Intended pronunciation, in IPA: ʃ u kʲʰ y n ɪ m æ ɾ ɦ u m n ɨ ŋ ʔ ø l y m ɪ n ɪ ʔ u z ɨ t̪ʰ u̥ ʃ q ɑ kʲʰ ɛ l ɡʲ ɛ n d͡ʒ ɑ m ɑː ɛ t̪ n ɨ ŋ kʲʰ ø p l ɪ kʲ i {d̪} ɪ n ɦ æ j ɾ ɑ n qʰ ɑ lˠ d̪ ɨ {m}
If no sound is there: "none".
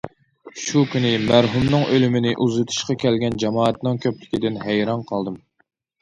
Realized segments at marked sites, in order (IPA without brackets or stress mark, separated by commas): d̪, m